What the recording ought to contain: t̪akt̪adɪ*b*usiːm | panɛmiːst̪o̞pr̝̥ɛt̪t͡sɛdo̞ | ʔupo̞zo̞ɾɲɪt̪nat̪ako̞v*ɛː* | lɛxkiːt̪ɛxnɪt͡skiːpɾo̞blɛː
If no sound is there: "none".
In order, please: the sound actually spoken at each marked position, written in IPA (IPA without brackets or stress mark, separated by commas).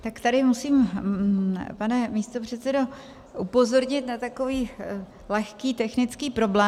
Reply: m, iː